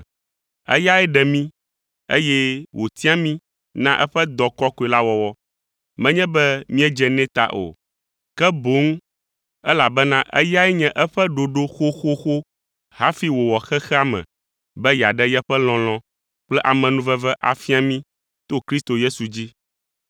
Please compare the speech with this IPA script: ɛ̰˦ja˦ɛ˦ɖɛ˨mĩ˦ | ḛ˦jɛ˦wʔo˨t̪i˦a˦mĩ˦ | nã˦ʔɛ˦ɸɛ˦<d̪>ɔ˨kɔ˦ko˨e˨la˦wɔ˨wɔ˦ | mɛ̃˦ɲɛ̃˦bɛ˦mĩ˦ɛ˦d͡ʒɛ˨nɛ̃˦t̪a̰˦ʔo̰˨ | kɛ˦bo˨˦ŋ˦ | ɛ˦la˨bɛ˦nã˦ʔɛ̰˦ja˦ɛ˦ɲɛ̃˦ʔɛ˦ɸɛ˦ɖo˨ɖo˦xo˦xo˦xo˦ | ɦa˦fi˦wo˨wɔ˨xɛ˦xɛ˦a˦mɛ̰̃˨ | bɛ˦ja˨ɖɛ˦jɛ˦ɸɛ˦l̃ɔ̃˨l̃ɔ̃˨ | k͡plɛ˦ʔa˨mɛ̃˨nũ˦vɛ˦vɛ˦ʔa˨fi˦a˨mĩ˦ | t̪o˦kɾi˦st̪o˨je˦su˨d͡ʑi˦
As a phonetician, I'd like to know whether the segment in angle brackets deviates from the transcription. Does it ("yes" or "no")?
no